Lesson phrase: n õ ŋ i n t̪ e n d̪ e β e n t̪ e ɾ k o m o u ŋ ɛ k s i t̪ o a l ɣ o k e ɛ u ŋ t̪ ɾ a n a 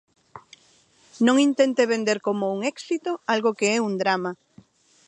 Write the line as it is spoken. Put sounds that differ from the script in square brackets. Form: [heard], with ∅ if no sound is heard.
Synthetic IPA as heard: n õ ŋ i n t̪ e n [t̪] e β e n [d̪] e ɾ k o m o u ŋ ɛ k s i t̪ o a l ɣ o k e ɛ u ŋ [d̪] ɾ a [m] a